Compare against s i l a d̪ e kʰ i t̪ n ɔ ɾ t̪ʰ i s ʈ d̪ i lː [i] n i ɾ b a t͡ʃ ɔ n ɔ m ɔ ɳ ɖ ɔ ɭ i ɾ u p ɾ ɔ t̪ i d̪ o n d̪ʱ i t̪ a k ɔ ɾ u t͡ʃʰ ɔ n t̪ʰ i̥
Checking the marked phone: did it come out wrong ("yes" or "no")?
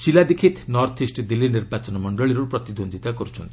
no